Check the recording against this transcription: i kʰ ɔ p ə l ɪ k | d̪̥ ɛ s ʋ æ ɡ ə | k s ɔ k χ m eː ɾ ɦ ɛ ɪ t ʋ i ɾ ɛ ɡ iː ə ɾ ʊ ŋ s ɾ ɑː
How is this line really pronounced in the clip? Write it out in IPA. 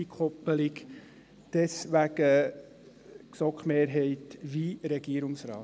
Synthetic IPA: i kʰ ɔ p ə l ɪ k | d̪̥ ɛ s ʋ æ ɡ ə | k s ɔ k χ m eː ɾ ɦ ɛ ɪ t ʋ i ɾ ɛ ɡ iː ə ɾ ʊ ŋ s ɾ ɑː